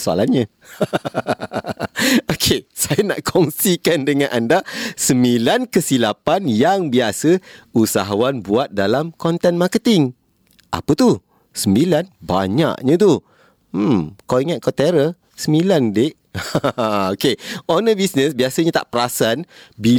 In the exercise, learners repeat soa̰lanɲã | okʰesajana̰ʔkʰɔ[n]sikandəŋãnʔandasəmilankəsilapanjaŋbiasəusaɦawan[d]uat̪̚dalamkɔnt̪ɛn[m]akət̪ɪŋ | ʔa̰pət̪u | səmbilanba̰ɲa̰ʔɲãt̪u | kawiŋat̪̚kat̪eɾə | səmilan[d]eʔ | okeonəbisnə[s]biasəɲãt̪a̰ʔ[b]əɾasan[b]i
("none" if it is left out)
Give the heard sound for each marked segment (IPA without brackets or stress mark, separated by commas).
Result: ŋ, b, m, d, s, p, b